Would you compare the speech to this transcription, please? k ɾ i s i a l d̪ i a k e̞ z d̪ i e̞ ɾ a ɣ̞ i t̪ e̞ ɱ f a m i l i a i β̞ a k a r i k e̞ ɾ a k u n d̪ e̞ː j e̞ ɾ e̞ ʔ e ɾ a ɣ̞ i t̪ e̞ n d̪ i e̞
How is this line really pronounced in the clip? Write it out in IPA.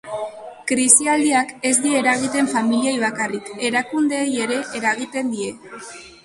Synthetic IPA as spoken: k ɾ i s i a l d̪ i a k e̞ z d̪ i e̞ ɾ a ɣ̞ i t̪ e̞ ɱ f a m i l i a j β̞ a k a r i k e̞ ɾ a k u n d̪ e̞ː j e̞ ɾ e̞ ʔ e ɾ a ɣ̞ i t̪ e̞ n d̪ i e̞

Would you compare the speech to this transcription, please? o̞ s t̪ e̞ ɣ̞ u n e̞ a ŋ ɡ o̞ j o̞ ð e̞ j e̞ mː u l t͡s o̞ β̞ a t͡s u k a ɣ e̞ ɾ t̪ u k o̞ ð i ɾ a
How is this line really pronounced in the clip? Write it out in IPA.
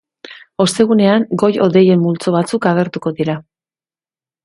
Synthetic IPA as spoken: o̞ s t̪ e̞ ɣ̞ u n e̞ a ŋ ɡ o̞ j o̞ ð e̞ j e̞ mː u l t͡s o̞ β̞ a t͡s u k a ɣ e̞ ɾ t̪ u k o̞ ð i ɾ a

